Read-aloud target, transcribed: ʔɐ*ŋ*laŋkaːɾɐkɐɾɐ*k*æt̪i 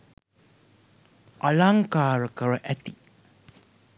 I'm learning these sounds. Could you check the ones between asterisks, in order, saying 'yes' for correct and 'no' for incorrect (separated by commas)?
no, no